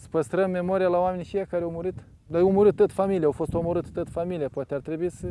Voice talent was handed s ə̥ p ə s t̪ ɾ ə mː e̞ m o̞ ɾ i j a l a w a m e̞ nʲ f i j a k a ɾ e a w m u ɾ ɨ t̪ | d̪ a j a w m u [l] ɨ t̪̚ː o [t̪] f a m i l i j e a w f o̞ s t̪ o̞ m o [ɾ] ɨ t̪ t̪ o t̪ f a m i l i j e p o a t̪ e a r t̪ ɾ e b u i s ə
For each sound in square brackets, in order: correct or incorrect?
incorrect: ɾ, correct, correct

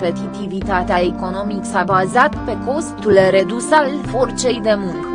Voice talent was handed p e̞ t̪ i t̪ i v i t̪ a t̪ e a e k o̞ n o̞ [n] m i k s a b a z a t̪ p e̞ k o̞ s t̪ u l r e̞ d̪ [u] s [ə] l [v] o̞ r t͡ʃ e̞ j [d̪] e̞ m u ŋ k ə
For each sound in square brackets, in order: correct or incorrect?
incorrect: none, correct, incorrect: a, incorrect: f, correct

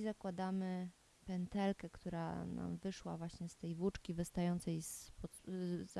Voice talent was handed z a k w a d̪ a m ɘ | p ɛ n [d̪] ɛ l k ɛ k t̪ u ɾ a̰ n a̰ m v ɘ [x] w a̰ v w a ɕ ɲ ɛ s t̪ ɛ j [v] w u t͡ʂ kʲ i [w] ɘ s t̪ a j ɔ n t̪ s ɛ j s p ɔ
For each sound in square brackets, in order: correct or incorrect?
incorrect: t̪, incorrect: ʂ, correct, incorrect: v

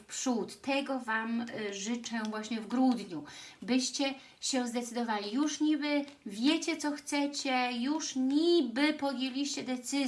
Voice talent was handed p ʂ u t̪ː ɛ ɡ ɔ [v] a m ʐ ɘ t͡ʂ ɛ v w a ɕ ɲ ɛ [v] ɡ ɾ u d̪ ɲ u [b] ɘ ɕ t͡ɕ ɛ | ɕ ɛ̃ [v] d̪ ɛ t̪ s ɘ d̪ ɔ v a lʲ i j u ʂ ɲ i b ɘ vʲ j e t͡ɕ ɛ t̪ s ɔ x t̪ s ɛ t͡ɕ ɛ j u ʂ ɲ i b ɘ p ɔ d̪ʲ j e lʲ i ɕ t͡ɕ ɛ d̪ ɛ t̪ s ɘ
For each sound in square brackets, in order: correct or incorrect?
correct, correct, correct, incorrect: z

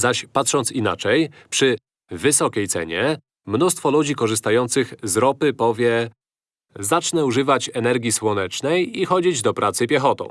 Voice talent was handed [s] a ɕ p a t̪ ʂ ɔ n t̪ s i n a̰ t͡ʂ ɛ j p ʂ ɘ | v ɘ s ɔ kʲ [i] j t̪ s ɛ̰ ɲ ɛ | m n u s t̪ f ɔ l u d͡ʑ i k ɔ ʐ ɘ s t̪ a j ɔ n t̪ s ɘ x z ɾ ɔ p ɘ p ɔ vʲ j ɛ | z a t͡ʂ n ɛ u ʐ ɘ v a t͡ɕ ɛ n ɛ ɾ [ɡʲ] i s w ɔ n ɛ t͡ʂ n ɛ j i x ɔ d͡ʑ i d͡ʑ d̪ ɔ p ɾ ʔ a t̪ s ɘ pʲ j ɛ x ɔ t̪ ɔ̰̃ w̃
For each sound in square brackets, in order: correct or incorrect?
incorrect: z, incorrect: e, correct

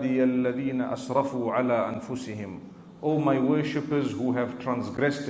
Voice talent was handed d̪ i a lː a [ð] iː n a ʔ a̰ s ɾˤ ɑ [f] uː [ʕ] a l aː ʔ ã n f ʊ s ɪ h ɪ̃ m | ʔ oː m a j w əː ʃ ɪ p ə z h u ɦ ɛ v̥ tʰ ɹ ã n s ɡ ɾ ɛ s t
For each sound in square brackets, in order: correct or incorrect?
correct, correct, correct

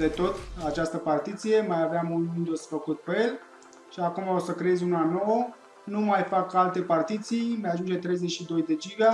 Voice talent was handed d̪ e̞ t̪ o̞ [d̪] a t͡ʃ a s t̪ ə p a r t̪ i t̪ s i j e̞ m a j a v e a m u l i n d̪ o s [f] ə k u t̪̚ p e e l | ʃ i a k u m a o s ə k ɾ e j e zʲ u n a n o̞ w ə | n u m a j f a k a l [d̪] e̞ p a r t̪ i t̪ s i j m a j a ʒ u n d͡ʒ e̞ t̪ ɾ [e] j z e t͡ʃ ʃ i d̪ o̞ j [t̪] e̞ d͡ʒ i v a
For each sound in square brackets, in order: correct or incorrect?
incorrect: t̪, correct, incorrect: t̪, correct, incorrect: d̪

